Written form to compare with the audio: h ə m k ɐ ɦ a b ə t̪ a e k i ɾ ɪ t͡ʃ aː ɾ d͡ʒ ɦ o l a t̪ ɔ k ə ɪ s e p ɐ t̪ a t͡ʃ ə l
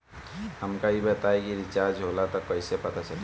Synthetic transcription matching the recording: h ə m k a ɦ i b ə t̪ a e k i ɾ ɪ t͡ʃ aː ɾ d͡ʒ ɦ o l a t̪ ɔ k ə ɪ s e p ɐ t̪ a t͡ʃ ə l